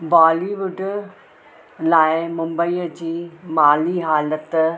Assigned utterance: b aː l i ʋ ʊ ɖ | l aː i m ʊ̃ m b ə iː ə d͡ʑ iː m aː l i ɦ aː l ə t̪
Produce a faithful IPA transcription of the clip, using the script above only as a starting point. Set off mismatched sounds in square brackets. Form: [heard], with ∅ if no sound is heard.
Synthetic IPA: b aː l i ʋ ʊ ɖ | l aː [ɪ] m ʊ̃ m b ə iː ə d͡ʑ iː m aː l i ɦ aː l ə t̪

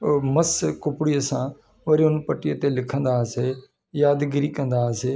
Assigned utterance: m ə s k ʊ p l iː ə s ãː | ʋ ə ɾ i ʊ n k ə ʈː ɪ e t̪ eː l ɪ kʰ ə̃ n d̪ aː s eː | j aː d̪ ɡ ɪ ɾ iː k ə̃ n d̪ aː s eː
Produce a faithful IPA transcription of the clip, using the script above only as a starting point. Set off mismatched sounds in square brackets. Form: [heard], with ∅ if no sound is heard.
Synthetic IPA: m ə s k ʊ p [ɽ] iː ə s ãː | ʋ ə ɾ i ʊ n [p] ə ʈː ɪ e t̪ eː l ɪ kʰ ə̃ n d̪ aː s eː | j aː d̪ ɡ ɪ ɾ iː k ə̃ n d̪ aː s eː

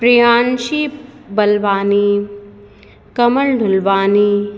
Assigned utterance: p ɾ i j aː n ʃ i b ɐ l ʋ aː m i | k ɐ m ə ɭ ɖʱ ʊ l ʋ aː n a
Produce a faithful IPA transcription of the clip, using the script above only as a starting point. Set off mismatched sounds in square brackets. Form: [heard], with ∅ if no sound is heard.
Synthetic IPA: p ɾ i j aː n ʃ i b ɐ l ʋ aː [n] i | k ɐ m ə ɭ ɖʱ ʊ l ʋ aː n [i]

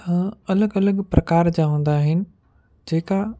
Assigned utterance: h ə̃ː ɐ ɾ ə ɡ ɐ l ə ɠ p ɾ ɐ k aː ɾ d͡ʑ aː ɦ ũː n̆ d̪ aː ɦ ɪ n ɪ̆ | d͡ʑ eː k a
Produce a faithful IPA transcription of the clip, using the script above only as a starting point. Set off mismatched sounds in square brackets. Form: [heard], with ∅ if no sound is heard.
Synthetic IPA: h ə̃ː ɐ [l] ə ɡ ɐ l ə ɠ p ɾ ɐ k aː ɾ d͡ʑ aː ɦ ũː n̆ d̪ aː ɦ ɪ n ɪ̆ | d͡ʑ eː k a

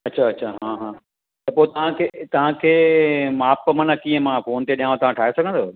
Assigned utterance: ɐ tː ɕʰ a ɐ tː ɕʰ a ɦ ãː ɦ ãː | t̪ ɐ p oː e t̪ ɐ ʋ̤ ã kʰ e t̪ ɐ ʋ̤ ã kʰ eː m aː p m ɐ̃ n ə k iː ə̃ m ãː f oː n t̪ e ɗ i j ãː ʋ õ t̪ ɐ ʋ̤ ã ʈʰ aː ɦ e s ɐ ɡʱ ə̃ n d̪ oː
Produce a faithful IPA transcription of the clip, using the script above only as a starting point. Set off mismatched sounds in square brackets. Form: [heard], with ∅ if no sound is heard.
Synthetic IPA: ɐ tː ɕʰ a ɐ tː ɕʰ a ɦ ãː ɦ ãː | t̪ ɐ p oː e t̪ ɐ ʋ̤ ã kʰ e t̪ ɐ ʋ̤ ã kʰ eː m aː p m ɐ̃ n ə k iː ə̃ m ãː f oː n t̪ e ɗ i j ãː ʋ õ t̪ ɐ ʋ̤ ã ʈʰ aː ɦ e s ɐ ɡʱ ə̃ n d̪ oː

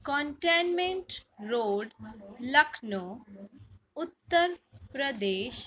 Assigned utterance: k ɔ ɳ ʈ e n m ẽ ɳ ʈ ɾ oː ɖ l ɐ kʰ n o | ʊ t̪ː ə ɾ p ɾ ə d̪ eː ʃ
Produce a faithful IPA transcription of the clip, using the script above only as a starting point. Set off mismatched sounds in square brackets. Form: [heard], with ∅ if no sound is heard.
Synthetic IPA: k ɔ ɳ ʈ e n m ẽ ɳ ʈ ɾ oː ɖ l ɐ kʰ n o | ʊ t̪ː ə ɾ p ɾ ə d̪ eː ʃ

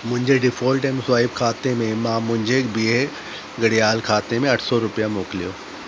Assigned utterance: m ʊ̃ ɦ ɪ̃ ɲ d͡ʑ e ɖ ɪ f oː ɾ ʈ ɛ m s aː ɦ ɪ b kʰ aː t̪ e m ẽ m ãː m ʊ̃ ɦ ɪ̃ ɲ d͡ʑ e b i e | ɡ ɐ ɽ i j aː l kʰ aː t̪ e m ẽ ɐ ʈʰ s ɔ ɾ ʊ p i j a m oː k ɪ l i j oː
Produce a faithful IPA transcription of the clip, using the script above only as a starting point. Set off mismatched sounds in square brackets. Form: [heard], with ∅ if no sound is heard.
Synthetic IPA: m ʊ̃ ɦ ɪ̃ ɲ d͡ʑ e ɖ ɪ f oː [l] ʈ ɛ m s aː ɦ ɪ b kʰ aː t̪ e m ẽ m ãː m ʊ̃ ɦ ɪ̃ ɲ d͡ʑ e b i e | ɡ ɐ ɽ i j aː l kʰ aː t̪ e m ẽ ɐ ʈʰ s ɔ ɾ ʊ p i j a m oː k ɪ l i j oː

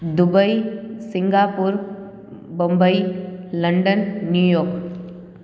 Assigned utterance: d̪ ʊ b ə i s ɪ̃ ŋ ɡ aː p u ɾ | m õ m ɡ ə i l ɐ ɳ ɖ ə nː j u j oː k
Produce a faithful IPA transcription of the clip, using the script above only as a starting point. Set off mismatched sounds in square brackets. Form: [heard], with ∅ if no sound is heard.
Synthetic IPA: d̪ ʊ b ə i s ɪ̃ ŋ ɡ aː p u ɾ | [b] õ m [b] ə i l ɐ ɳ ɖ ə nː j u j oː k

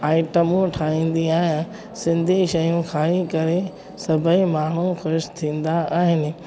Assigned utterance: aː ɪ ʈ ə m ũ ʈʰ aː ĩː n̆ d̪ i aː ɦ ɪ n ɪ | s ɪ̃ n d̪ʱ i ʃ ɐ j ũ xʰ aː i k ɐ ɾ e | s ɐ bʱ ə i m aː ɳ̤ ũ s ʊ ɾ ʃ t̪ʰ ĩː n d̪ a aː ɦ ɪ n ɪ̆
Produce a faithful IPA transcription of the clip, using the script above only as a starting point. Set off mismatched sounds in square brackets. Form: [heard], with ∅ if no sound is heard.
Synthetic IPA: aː ɪ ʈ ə m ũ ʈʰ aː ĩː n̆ d̪ i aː ɦ ɪ n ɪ | s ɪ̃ n d̪ʱ i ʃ ɐ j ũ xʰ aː i k ɐ ɾ e | s ɐ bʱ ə i m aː ɳ̤ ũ [x] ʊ ɾ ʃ t̪ʰ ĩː n d̪ a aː ɦ ɪ n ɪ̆

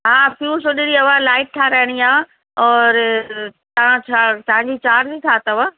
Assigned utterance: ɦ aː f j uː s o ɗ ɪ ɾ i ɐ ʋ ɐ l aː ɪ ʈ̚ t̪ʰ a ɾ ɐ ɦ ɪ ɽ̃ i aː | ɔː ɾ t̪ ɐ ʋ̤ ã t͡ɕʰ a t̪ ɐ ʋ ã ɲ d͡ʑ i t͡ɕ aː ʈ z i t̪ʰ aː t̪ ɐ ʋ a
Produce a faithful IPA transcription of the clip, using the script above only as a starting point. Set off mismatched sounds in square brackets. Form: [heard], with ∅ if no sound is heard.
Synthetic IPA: ɦ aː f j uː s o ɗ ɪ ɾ i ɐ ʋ [a] l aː ɪ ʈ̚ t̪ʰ a ɾ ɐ ɦ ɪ ɽ̃ i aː | ɔː ɾ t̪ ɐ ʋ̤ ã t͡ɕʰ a t̪ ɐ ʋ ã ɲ d͡ʑ i t͡ɕ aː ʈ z i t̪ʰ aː t̪ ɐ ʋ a

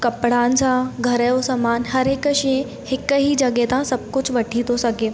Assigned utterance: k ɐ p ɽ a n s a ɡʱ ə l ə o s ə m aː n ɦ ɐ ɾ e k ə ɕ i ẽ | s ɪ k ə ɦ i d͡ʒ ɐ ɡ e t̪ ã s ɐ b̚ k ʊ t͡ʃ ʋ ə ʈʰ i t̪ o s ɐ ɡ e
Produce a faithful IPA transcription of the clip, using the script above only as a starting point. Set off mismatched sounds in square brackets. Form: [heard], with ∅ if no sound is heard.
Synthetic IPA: k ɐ p ɽ a n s a ɡʱ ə [ɾ] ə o s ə m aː n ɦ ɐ ɾ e k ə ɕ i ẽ | [h] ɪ k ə ɦ i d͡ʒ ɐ ɡ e t̪ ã s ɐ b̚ k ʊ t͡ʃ ʋ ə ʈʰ i t̪ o s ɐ ɡ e

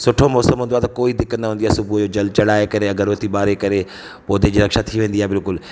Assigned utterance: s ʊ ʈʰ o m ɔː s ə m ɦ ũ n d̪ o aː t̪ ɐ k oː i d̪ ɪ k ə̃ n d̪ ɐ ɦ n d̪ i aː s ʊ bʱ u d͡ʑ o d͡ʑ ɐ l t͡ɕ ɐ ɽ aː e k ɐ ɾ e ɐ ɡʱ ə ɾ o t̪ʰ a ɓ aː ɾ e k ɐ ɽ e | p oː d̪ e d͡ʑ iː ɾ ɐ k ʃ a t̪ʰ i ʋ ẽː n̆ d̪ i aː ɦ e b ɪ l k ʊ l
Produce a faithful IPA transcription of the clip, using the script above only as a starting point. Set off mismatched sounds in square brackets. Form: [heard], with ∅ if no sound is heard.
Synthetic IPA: s ʊ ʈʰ o m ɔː s ə m ɦ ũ n d̪ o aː t̪ ɐ k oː i d̪ ɪ k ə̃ n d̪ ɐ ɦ n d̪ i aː s ʊ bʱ u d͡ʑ o d͡ʑ ɐ l t͡ɕ ɐ ɽ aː e k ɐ ɾ e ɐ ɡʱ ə ɾ o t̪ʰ [i] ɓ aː ɾ e k ɐ [ɾ] e | p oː d̪ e d͡ʑ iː ɾ ɐ k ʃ a t̪ʰ i ʋ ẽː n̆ d̪ i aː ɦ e b ɪ l k ʊ l

